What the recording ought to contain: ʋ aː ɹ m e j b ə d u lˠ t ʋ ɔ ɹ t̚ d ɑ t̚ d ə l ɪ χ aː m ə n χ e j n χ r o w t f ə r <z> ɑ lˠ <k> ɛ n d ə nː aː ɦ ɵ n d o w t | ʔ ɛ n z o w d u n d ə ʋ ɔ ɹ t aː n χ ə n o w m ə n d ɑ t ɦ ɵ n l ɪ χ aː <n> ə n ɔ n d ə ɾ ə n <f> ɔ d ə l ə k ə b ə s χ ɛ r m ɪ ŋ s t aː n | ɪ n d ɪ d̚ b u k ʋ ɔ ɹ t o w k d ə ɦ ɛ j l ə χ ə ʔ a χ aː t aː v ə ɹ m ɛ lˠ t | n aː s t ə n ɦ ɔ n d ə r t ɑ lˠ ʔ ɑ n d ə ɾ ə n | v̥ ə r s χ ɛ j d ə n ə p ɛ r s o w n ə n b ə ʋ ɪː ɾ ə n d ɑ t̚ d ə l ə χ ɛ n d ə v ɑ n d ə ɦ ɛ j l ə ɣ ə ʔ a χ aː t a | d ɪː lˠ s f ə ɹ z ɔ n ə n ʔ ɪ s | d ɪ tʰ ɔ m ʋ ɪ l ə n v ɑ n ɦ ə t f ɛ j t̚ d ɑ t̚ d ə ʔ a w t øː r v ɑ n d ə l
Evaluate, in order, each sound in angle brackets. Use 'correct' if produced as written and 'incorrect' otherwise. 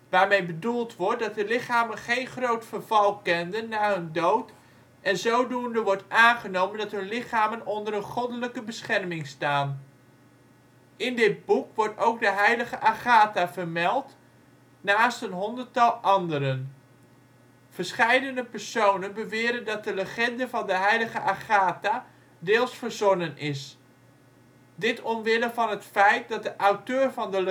incorrect, correct, incorrect, incorrect

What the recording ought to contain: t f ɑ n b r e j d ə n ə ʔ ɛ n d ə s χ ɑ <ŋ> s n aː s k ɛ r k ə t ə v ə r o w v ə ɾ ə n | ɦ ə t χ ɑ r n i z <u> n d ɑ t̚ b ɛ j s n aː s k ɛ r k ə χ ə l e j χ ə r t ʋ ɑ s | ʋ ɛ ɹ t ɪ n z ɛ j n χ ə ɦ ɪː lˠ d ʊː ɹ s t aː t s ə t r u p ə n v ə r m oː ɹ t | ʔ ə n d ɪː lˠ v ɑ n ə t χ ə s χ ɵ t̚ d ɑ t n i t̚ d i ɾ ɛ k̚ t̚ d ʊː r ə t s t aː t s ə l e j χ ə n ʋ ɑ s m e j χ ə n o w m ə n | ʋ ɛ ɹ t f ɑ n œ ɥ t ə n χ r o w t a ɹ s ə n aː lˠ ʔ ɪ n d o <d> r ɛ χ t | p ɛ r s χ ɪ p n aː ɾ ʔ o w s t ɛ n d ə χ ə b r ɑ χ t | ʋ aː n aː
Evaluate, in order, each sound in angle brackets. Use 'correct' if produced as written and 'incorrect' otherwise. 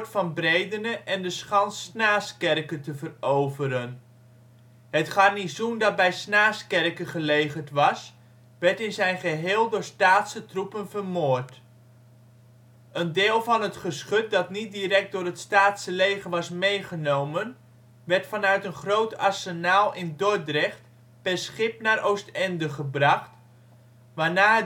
incorrect, correct, correct

